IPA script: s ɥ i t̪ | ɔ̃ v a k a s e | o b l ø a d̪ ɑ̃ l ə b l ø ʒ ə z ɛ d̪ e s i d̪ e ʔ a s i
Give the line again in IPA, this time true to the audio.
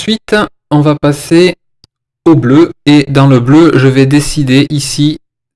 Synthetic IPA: s ɥ i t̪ | ɔ̃ v a p a s e | o b l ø e d̪ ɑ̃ l ə b l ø ʒ ə v ɛ d̪ e s i d̪ e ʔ i s i

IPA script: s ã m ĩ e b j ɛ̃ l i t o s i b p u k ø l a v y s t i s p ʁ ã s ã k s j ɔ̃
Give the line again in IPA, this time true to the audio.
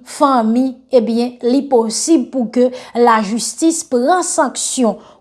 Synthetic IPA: f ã m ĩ e b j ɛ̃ l i p o s i b p u k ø l a ʒ y s t i s p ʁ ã s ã k s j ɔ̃

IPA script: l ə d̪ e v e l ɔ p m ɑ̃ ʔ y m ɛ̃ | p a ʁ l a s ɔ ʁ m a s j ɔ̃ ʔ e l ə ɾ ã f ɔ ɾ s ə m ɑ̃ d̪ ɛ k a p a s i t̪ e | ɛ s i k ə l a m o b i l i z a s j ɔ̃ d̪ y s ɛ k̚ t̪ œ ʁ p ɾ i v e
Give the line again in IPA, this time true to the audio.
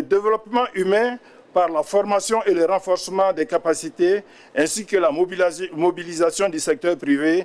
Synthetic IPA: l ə d̪ e v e l ɔ p m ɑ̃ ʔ y m ɛ̃ | p a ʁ l a f ɔ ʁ m a s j ɔ̃ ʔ e l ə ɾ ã f ɔ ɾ s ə m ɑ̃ d̪ ɛ k a p a s i t̪ e | ɛ̃ s i k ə l a m o b i l i z a s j ɔ̃ d̪ y s ɛ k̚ t̪ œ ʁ p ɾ i v e

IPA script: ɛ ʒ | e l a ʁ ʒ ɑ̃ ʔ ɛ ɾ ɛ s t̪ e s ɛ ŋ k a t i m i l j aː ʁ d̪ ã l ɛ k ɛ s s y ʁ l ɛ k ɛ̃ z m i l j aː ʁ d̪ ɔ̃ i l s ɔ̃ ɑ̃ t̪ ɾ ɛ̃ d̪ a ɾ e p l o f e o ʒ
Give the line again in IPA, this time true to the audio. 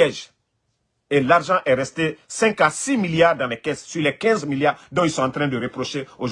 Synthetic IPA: ɛ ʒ | e l a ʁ ʒ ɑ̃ ʔ ɛ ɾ ɛ s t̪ e s ɛ̃ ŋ k a s i m i l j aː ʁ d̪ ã l ɛ k ɛ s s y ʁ l ɛ k ɛ̃ z m i l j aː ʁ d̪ ɔ̃ i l s ɔ̃ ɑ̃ t̪ ɾ ɛ̃ d̪ ə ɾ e p ɾ o ʃ e o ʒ

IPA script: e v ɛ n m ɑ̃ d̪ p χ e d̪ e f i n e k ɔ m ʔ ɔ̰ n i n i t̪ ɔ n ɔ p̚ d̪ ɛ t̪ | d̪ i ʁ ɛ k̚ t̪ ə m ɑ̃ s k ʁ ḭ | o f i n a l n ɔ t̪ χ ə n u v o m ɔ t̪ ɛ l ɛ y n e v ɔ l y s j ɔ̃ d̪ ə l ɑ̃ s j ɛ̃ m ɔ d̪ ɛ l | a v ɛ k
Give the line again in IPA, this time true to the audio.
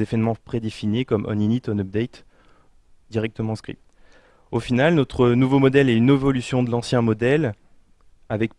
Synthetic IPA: e v ɛ n m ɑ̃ p χ e d̪ e f i n e k ɔ m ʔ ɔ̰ n i n i t̪ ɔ n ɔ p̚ d̪ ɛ t̪ | d̪ i ʁ ɛ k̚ t̪ ə m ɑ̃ s k χ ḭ | o f i n a l n ɔ t̪ χ ə n u v o m ɔ d̪ ɛ l ɛ y n e v ɔ l y s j ɔ̃ d̪ ə l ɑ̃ s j ɛ̃ m ɔ d̪ ɛ l | a v ɛ k

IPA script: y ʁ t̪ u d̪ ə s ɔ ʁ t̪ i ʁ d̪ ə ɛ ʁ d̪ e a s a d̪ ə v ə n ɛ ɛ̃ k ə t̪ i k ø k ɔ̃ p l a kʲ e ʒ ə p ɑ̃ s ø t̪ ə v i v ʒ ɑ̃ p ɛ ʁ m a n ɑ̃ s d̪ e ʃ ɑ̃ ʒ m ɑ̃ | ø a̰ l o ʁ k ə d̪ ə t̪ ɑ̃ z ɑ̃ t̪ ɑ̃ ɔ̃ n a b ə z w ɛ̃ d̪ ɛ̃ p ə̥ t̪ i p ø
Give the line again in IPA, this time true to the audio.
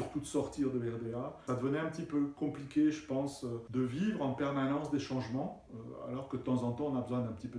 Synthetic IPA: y ʁ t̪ u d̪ ə s ɔ ʁ t̪ i ʁ d̪ ə ɛ ʁ d̪ e a s a d̪ ə v ə n ɛ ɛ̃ p ə t̪ i p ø k ɔ̃ p l i kʲ e ʒ ə p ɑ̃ s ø d̪ ə v i v ʁ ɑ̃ p ɛ ʁ m a n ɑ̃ s d̪ e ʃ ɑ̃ ʒ m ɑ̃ | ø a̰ l ɔ ʁ k ə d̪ ə t̪ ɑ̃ z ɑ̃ t̪ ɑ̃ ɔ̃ n a b ə z w ɛ̃ d̪ ɛ̃ p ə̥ t̪ i p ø

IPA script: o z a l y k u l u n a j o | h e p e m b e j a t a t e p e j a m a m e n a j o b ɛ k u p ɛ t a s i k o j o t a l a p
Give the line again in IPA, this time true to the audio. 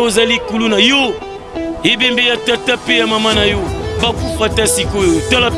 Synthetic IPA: o z a l i k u l u n a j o | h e b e m b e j a t a t a p e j a m a m a n a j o b a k u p a t a s i k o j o t a l a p

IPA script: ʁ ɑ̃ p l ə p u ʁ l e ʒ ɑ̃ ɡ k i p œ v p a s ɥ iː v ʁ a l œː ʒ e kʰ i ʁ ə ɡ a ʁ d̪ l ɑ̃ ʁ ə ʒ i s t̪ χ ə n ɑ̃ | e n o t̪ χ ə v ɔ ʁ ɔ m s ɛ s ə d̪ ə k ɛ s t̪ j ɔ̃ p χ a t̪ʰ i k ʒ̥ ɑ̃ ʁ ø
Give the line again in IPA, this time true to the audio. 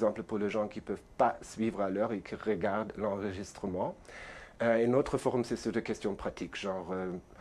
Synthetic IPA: z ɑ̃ p l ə p u ʁ l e ʒ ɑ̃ k i p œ v p a s ɥ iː v ʁ a l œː ʁ e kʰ i ʁ ə ɡ a ʁ d̪ l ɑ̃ ʁ ə ʒ i s t̪ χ ə m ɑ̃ | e n o t̪ χ ə f ɔ ʁ ɔ m s ɛ s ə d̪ ə k ɛ s t̪ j ɔ̃ p χ a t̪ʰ i k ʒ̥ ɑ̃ ʁ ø

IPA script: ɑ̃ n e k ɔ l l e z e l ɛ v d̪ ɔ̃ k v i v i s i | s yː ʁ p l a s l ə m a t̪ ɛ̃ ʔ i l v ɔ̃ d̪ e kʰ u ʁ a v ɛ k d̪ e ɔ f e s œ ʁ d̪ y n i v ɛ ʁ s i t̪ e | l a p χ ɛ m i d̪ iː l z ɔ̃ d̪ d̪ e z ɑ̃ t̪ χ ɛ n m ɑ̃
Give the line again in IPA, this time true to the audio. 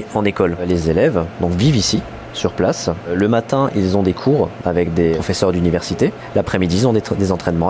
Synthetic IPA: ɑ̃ n e k ɔ l l e z e l ɛ v d̪ ɔ̃ k v i v i s i | s y ʁ p l a s l ə m a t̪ ɛ̃ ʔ i l z ɔ̃ d̪ e kʰ u ʁ a v ɛ k d̪ e ɔ f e s œ ʁ d̪ y n i v ɛ ʁ s i t̪ e | l a p χ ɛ m i d̪ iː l z ɔ̃ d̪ d̪ e z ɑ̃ t̪ χ ɛ n m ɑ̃

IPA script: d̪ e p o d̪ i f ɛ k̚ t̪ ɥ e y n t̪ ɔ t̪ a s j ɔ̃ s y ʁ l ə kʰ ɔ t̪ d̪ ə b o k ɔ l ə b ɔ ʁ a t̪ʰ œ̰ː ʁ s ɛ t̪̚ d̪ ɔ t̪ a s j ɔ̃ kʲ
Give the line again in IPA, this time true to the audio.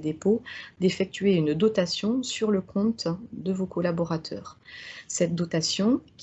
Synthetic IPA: d̪ e p o d̪ e f ɛ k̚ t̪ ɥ e y n d̪ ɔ t̪ a s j ɔ̃ s y ʁ l ə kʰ ɔ̃ t̪ d̪ ə v o k ɔ l a b ɔ ʁ a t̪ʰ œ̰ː ʁ s ɛ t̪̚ d̪ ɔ t̪ a s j ɔ̃ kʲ

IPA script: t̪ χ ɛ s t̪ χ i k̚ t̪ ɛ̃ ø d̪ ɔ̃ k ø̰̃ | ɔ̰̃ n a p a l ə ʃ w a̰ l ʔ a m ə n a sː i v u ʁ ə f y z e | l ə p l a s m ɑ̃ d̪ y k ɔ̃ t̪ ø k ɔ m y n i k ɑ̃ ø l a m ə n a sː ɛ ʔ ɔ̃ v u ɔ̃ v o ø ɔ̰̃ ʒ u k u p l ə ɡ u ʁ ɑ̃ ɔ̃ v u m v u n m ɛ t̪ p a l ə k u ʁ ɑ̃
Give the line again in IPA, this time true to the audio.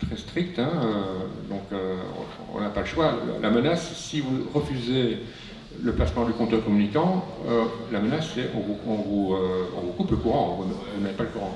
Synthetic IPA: t̪ χ ɛ s t̪ χ i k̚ t̪ ɛ̃ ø d̪ ɔ̃ k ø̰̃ | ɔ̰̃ n a p a l ə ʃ w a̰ l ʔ a m ə n a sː i v u ʁ ə f y z e | l ə p l a s m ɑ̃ d̪ y k ɔ̃ t̪ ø k ɔ m y n i k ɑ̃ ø l a m ə n a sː ɛ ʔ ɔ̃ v u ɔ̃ v u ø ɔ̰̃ v u k u p l ə k u ʁ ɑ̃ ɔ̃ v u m v u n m ɛ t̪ p a l ə k u ʁ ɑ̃

